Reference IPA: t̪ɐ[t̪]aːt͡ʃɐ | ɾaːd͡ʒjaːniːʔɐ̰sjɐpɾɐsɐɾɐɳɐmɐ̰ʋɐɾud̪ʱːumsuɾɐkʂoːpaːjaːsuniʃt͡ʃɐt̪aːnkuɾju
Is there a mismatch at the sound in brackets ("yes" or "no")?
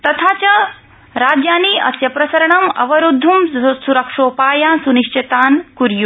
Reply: yes